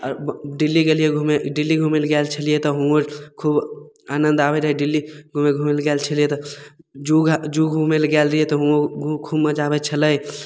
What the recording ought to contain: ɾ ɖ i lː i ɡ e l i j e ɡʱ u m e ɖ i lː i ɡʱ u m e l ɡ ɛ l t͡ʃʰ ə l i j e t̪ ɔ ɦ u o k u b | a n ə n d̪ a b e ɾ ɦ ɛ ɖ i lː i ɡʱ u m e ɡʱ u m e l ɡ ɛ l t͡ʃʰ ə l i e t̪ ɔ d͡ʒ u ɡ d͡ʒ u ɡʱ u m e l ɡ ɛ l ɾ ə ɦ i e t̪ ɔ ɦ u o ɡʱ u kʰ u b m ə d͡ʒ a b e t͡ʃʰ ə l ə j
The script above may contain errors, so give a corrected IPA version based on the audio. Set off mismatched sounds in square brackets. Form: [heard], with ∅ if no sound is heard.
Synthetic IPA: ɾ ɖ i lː i ɡ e l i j e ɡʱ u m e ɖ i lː i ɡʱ u m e l ɡ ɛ l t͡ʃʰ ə l i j e t̪ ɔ ɦ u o [kʰ] u b | a n ə n d̪ a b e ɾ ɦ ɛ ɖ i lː i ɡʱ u m e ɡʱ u m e l ɡ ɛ l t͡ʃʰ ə l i e t̪ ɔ d͡ʒ u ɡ d͡ʒ u ɡʱ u m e l ɡ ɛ l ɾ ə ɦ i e t̪ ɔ ɦ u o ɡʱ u kʰ u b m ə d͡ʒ a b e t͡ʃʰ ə l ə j